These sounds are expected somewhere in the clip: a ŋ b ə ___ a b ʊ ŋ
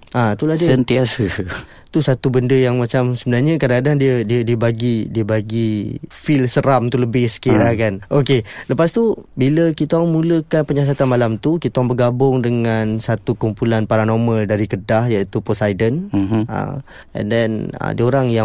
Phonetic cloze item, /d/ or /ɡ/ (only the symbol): ɡ